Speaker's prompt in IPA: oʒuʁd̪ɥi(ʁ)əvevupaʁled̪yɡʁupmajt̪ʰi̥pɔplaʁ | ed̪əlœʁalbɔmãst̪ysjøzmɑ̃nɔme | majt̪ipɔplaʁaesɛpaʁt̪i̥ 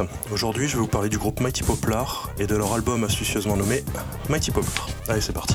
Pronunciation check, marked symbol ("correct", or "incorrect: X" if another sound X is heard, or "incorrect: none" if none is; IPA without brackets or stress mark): incorrect: ʒ